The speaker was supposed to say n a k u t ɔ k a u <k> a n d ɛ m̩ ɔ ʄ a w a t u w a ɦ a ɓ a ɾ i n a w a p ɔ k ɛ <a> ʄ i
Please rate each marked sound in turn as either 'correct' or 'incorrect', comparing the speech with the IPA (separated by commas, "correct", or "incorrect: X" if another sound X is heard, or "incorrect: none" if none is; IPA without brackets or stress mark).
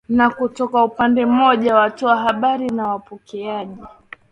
incorrect: p, correct